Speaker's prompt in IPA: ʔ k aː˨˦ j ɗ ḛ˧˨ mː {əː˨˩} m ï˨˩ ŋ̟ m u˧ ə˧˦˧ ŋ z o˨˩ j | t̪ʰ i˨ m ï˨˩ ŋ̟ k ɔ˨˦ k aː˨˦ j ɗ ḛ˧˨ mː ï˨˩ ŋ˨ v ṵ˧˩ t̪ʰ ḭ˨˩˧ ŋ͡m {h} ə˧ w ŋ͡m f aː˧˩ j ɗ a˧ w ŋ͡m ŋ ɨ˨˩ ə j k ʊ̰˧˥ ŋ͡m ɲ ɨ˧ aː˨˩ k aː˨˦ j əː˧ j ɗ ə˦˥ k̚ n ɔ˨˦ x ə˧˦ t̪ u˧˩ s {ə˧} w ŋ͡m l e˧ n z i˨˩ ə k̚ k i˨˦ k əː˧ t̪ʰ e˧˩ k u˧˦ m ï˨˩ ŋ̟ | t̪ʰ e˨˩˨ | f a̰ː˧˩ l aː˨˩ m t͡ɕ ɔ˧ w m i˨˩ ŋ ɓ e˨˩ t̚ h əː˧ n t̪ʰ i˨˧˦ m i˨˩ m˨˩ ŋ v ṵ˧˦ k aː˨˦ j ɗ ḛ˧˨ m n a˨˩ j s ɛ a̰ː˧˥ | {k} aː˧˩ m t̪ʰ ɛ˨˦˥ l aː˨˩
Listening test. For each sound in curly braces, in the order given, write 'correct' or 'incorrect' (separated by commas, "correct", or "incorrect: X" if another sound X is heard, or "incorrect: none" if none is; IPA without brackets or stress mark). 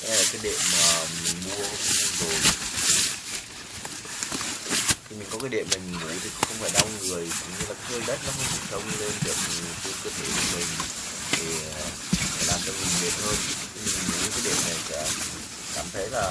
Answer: incorrect: aː˨˩, incorrect: x, correct, correct